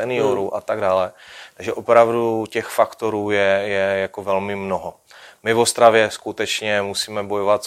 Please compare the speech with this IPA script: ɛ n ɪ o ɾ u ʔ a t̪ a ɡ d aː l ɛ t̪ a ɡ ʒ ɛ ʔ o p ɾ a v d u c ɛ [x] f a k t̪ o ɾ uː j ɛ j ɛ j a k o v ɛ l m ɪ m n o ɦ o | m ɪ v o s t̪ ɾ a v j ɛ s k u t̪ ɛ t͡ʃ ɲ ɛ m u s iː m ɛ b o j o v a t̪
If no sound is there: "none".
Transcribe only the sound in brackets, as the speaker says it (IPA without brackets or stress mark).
x